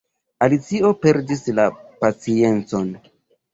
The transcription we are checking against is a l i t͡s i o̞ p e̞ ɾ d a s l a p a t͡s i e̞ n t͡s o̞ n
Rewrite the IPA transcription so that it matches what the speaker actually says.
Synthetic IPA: a l i t͡s i o̞ p e̞ ɾ d i s l a p a t͡s i e̞ n t͡s o̞ n